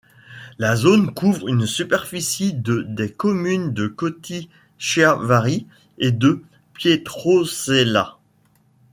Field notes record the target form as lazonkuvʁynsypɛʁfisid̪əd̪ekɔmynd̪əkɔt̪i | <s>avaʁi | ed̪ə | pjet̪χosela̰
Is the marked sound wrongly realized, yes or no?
yes